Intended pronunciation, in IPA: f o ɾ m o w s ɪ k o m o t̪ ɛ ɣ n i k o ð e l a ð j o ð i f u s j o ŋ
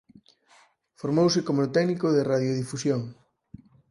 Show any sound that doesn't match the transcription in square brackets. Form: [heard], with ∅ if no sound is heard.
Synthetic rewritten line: f o ɾ m o w s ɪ k o m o t̪ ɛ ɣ n i k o ð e [r] a ð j o ð i f u s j o ŋ